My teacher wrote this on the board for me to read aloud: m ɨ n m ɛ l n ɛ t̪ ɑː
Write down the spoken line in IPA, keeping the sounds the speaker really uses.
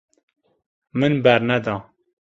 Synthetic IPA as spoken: m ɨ n b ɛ ɾ n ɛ d̪ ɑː